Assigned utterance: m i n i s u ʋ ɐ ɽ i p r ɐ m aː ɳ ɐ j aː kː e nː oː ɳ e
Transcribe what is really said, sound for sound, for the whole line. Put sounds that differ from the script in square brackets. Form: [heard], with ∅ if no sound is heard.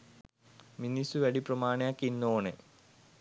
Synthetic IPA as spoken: m i n i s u ʋ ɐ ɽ i p r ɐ m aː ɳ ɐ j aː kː [i] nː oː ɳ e